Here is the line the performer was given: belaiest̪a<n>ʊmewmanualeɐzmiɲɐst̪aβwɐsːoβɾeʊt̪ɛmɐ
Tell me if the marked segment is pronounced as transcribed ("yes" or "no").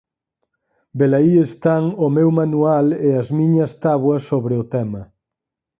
no